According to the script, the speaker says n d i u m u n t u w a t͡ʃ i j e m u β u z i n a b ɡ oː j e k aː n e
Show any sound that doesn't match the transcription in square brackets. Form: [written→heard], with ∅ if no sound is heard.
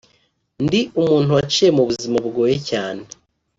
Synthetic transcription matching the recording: n d i u m [u→uː] n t u w a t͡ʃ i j e m u β u z i [n→m] a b ɡ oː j e [k→c] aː n e